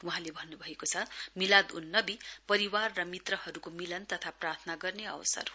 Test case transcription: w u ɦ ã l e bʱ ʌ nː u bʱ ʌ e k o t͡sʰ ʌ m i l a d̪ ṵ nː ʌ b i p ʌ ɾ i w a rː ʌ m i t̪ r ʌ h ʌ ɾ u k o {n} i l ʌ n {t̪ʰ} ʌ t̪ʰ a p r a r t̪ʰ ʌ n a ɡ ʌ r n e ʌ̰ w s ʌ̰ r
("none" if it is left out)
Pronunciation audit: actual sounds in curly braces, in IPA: m, t̪

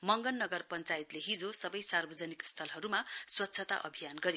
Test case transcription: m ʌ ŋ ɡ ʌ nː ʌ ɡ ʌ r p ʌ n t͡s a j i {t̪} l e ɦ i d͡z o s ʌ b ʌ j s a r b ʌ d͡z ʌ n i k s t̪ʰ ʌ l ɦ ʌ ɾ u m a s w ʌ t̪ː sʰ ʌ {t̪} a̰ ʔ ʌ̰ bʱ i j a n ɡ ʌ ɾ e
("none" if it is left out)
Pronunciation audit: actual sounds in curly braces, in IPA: t̪, t̪

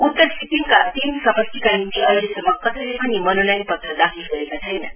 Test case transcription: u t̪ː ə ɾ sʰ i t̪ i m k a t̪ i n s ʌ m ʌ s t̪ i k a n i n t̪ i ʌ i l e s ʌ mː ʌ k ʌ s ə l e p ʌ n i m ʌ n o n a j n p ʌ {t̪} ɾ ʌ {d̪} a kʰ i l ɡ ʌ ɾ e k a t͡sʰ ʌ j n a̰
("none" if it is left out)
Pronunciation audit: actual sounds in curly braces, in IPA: t̪, d̪

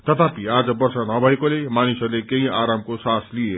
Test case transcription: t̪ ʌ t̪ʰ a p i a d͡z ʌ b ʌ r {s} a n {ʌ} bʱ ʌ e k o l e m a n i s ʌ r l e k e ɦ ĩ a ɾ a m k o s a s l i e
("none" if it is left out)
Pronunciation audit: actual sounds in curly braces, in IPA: s, ʌ

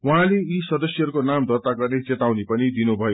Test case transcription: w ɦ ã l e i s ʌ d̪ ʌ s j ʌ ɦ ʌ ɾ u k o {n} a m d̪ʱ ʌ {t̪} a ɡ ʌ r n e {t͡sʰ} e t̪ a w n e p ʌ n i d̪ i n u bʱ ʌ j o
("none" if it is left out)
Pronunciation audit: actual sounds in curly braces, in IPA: n, t̪, t͡s

